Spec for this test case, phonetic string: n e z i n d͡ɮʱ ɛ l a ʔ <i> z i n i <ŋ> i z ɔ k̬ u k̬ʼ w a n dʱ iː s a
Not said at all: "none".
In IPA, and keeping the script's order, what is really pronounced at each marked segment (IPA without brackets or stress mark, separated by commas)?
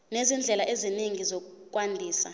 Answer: e, ŋ